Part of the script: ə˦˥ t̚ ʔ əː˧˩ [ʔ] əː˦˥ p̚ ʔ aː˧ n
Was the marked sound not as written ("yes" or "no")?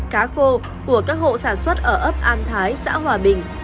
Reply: no